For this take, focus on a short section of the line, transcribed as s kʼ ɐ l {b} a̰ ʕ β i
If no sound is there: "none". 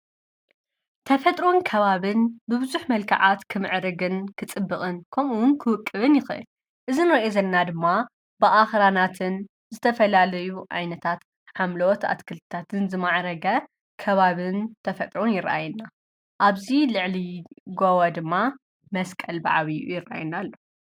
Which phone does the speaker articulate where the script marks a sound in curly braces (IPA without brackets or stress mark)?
b